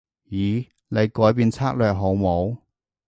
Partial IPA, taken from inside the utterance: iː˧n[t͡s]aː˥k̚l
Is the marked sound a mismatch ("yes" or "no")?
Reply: yes